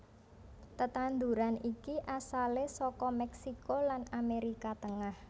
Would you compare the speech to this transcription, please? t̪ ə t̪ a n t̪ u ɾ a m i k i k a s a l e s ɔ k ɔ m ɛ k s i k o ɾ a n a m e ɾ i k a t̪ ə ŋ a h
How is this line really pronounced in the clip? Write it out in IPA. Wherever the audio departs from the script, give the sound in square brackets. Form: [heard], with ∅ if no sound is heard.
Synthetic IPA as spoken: t̪ ə t̪ a n [d̪] u ɾ a [n] i k i [ʔ] a s a l e s ɔ k ɔ m ɛ k s i k o [l] a n a m e ɾ i k a t̪ ə ŋ a h